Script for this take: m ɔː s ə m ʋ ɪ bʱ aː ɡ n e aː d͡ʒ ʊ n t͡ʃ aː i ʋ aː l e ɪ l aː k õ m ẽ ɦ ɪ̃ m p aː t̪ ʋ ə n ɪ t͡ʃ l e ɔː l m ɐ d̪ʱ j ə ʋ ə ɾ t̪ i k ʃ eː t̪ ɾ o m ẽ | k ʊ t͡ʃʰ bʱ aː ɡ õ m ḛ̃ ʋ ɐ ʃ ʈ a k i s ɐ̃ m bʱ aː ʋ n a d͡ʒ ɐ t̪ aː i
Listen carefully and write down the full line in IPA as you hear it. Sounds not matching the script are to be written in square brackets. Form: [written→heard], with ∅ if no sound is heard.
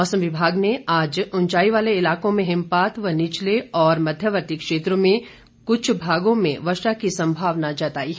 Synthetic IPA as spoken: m ɔː s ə m ʋ ɪ bʱ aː ɡ n e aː d͡ʒ ʊ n t͡ʃ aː i ʋ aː l e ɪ l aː k õ m ẽ ɦ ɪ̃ m p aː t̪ ʋ ə n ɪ t͡ʃ l e ɔː [l→ɾ] m ɐ d̪ʱ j ə ʋ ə ɾ t̪ i k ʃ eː t̪ ɾ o m ẽ | k ʊ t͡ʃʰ bʱ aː ɡ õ m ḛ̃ ʋ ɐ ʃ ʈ a k i s ɐ̃ m bʱ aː ʋ n a d͡ʒ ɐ t̪ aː i